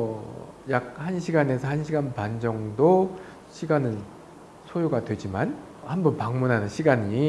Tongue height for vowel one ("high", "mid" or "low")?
low